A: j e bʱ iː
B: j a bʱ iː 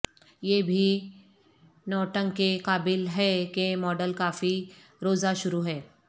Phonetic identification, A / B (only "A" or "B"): A